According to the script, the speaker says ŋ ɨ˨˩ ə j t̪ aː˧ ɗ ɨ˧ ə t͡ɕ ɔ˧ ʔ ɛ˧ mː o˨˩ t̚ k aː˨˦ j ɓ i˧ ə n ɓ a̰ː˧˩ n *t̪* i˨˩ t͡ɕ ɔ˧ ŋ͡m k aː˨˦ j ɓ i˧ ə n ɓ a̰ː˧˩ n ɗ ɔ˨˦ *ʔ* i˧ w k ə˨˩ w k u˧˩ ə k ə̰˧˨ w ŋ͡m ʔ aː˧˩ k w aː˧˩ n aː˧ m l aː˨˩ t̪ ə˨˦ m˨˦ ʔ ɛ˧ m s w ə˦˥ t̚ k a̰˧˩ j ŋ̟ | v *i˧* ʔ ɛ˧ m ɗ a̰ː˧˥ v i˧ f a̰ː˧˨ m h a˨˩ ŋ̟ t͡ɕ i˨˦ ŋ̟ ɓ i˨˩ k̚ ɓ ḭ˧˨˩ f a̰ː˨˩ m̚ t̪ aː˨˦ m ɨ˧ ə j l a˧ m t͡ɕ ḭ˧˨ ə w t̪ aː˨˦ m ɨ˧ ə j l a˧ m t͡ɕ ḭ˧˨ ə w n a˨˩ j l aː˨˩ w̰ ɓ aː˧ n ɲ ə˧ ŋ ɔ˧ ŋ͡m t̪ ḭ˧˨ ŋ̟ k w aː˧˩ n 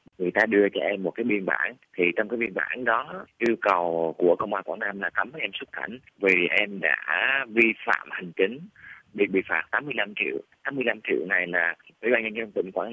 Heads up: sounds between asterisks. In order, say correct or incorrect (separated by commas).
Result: incorrect, correct, incorrect